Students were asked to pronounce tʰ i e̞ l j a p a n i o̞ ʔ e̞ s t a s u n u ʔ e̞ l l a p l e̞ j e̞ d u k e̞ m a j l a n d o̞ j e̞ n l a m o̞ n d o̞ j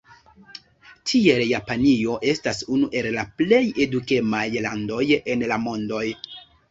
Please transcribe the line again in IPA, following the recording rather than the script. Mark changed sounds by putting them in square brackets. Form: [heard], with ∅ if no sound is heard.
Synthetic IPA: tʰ i e̞ l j a p a n i o̞ ʔ e̞ s t a s u n u ʔ e̞ l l a p l e̞ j e̞ d u k e̞ m a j l a n d o̞ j e̞ n l a m o̞ n d o̞ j